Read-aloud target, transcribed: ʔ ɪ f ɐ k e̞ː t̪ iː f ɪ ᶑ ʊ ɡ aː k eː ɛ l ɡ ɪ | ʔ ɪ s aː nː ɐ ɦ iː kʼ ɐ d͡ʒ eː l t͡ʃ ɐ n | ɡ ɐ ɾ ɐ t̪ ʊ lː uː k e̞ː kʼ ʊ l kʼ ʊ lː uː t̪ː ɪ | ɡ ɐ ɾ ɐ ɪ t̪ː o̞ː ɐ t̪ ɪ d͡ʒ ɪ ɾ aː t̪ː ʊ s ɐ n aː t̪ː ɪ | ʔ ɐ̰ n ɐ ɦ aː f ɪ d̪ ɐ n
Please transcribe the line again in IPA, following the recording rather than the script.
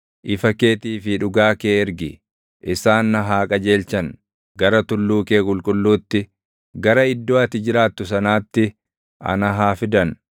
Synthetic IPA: ʔ ɪ f ɐ k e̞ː t̪ iː f ɪ ᶑ ʊ ɡ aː k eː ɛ ɾ ɡ ɪ | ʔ ɪ s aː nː ɐ ɦ aː kʼ ɐ d͡ʒ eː l t͡ʃ ɐ n | ɡ ɐ ɾ ɐ t̪ ʊ lː uː k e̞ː kʼ ʊ l kʼ ʊ lː uː t̪ː ɪ | ɡ ɐ ɾ ɐ ɪ d̪ː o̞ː ɐ t̪ ɪ d͡ʒ ɪ ɾ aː t̪ː ʊ s ɐ n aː t̪ː ɪ | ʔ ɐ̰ n ɐ ɦ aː f ɪ d̪ ɐ n